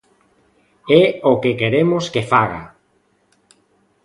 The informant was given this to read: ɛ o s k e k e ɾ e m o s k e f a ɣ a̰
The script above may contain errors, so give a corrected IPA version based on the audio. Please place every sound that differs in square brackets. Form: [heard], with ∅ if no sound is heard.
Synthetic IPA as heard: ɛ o [∅] k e k e ɾ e m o s k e f a ɣ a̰